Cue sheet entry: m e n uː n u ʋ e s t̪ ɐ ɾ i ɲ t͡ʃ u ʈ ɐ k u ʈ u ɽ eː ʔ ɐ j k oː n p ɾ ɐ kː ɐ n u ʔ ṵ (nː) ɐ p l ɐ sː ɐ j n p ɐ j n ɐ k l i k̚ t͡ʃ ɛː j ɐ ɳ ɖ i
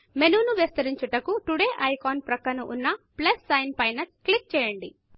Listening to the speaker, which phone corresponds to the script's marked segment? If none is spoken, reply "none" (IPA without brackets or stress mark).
nː